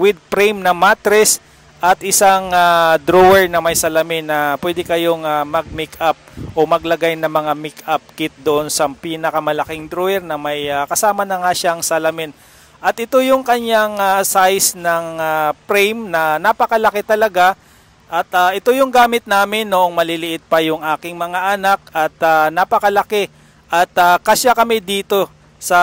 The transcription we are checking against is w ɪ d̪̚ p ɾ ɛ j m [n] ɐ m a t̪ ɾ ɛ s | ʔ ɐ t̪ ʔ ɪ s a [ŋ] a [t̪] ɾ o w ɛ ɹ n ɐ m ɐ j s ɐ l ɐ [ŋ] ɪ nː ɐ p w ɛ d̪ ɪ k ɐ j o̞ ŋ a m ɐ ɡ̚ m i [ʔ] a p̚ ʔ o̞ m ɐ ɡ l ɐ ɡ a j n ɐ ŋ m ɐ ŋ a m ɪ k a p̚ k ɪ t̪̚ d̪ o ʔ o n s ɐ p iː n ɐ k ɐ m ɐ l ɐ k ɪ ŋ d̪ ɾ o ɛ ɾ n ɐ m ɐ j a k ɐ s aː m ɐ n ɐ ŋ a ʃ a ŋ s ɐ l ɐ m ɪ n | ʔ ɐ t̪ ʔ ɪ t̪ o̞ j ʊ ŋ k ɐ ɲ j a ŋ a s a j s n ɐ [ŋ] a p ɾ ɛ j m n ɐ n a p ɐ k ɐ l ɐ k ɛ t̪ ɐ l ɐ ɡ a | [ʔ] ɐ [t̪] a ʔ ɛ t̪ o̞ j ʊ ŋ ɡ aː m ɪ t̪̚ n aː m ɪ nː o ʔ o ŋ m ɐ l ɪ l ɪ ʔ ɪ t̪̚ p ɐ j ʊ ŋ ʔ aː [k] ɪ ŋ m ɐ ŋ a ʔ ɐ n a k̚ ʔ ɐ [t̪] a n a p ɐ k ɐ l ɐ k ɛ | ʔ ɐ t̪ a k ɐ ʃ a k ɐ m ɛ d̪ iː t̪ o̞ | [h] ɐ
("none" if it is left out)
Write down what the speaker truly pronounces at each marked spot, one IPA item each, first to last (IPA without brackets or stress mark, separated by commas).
n, ŋ, d̪, m, k, ŋ, ʔ, t̪, k, t̪, s